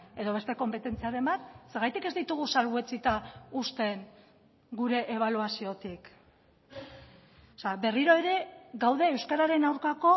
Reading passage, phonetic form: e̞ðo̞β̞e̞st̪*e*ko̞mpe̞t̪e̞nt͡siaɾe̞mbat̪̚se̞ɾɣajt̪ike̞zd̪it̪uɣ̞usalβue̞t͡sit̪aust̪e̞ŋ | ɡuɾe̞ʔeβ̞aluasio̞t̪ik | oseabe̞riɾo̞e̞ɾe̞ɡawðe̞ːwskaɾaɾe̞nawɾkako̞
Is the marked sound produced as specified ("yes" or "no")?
yes